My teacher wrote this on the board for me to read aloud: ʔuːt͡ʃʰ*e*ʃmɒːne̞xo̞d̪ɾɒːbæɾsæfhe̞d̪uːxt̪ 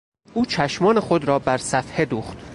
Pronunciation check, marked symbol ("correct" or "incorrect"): incorrect